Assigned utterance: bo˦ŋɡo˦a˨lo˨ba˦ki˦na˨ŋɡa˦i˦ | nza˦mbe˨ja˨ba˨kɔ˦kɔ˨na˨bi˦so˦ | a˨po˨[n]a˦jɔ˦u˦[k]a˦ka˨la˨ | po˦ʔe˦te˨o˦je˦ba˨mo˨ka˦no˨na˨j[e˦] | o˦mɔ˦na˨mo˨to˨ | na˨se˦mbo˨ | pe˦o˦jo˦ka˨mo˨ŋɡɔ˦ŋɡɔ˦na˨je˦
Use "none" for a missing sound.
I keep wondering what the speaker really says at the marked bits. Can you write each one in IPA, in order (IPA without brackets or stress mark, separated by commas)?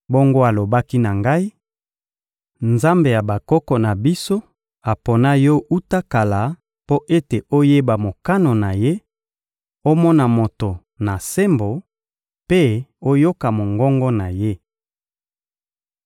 n, t, e˦